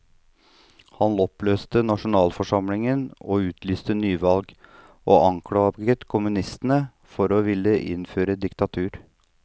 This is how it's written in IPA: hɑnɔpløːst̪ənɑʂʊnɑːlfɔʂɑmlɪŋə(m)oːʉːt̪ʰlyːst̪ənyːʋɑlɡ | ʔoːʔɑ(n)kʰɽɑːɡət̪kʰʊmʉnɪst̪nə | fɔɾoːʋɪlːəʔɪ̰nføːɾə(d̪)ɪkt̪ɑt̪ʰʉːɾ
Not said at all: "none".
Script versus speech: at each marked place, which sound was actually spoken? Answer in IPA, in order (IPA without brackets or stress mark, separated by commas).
n, ŋ, d̪